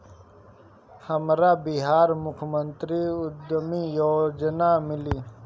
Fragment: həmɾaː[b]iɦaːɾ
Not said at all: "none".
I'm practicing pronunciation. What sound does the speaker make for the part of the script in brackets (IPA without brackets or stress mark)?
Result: b